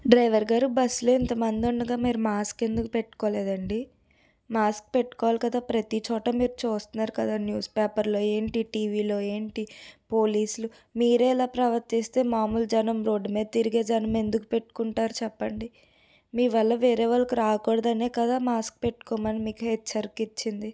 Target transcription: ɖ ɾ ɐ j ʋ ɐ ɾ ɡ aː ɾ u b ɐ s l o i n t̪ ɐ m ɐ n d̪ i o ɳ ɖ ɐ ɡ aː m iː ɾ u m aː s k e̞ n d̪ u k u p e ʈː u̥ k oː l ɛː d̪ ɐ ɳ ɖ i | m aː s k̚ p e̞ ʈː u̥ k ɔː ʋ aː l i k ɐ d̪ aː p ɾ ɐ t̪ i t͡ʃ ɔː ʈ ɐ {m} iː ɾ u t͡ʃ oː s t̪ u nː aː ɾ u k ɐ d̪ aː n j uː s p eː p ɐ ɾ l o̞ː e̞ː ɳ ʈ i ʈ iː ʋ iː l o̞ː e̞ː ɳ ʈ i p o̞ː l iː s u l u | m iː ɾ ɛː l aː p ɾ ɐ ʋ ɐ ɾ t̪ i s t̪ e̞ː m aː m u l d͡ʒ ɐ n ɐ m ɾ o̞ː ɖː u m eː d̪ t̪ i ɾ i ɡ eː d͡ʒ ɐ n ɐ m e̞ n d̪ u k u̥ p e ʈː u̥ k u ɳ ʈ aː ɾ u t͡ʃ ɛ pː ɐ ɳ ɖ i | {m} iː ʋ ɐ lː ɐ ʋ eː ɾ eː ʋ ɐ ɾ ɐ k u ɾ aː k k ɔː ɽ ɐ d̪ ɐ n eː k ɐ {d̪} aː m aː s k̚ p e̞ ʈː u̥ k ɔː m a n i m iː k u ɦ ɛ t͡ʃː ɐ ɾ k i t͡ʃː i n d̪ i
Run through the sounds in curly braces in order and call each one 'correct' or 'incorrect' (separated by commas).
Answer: correct, correct, correct